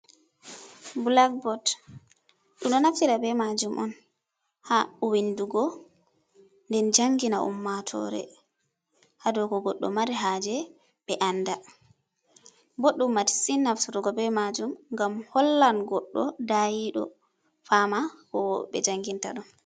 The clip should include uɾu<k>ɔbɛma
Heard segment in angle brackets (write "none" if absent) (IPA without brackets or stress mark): ɡ